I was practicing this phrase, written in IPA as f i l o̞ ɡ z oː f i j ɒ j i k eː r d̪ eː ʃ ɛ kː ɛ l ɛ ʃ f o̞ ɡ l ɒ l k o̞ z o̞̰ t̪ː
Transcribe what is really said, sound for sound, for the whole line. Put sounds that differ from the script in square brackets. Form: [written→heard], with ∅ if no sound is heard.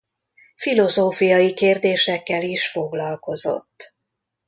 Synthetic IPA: f i l o̞ [ɡ→∅] z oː f i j ɒ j i k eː r d̪ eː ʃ ɛ kː ɛ l [ɛ→i] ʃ f o̞ ɡ l ɒ l k o̞ z o̞̰ t̪ː